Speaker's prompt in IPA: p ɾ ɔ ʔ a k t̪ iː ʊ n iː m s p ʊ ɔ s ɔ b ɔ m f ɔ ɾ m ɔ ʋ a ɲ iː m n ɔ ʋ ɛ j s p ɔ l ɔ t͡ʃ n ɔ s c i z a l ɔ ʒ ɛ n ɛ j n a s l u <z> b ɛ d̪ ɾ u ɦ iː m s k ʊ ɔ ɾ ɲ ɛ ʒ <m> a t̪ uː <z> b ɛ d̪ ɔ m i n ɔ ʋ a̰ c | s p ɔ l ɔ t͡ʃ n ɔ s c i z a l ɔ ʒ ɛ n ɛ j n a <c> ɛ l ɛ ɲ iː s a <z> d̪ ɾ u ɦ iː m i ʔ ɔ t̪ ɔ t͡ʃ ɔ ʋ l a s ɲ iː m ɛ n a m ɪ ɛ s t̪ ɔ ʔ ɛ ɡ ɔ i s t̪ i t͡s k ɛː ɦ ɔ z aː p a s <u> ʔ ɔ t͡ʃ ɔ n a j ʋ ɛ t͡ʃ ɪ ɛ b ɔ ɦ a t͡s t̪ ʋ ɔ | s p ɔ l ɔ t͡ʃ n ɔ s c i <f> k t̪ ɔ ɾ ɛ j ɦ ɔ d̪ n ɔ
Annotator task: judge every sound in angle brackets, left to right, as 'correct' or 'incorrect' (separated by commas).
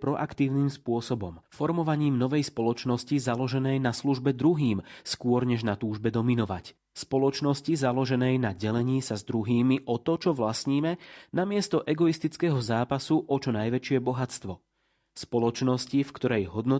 incorrect, incorrect, incorrect, incorrect, correct, correct, correct